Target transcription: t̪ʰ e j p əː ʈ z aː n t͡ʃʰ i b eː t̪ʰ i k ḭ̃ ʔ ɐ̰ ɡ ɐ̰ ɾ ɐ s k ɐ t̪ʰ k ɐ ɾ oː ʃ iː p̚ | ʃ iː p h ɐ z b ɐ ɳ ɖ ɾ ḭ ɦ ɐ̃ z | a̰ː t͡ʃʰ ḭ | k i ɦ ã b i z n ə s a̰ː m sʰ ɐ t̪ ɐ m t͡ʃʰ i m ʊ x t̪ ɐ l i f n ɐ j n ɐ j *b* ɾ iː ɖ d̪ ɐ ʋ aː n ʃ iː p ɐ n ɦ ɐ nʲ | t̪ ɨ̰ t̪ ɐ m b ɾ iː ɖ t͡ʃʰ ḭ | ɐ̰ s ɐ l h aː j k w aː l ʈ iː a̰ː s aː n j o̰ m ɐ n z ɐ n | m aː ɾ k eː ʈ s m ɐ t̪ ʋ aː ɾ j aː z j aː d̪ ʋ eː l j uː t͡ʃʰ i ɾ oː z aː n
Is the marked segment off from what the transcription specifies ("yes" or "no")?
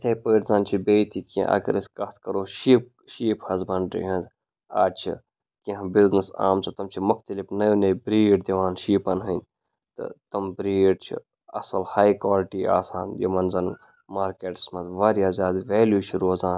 no